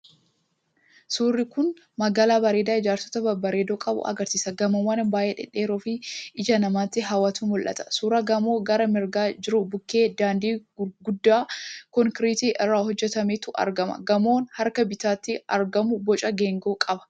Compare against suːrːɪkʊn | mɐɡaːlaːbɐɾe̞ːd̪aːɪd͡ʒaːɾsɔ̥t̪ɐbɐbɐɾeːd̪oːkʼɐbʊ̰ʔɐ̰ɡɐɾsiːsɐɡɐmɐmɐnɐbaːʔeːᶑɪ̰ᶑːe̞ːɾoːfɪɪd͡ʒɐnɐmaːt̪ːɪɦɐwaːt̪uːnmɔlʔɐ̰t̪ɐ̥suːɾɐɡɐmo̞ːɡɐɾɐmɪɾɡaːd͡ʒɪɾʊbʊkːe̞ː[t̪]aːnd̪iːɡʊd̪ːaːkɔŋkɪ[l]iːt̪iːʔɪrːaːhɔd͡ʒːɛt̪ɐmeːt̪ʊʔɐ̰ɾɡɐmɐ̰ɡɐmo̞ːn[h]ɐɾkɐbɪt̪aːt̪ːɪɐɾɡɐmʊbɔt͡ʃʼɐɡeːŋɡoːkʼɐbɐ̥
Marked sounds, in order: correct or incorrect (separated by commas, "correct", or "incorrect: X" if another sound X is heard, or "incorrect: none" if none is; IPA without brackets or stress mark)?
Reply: incorrect: d̪, incorrect: ɾ, correct